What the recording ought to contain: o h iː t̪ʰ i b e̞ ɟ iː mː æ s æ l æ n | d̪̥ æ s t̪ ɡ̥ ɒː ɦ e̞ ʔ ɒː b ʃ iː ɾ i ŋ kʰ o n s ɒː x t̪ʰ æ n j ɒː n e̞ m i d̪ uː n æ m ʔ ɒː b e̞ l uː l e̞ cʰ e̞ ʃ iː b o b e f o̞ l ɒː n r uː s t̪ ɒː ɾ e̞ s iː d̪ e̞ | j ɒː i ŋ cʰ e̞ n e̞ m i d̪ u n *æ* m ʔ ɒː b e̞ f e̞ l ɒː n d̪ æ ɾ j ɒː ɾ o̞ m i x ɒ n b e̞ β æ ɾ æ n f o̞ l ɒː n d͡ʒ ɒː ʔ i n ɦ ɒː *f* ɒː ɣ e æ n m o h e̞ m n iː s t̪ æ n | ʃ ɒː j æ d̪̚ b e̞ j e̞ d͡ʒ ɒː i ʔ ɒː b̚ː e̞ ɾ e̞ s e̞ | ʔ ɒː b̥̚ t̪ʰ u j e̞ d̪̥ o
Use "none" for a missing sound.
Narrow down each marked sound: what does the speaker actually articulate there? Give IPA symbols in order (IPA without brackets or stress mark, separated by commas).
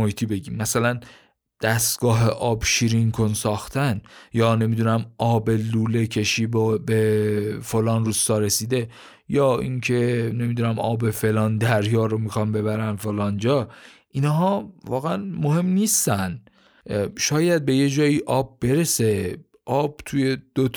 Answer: æ, v